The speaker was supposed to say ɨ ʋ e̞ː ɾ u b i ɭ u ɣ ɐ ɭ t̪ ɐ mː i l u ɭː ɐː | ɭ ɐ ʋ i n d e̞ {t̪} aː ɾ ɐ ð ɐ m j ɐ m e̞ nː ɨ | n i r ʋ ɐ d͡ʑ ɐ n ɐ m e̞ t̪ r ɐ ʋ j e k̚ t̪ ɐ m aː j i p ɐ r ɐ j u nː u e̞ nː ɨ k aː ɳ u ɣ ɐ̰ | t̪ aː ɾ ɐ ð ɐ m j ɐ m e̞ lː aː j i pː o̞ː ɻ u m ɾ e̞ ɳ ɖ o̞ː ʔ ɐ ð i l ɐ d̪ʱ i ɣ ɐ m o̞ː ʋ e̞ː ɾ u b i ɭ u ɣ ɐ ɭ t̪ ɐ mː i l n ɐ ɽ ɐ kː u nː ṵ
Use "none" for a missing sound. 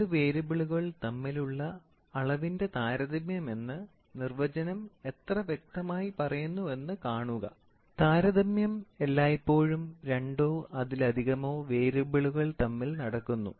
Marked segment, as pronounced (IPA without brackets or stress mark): t̪